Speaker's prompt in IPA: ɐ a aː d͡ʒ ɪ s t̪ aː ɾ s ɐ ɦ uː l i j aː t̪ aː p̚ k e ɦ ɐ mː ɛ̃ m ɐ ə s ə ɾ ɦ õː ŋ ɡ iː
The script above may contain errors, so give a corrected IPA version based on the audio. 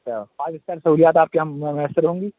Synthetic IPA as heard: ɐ a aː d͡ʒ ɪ s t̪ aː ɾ s ɐ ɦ uː l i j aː t̪ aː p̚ k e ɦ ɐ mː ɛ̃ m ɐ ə s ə ɾ ɦ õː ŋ ɡ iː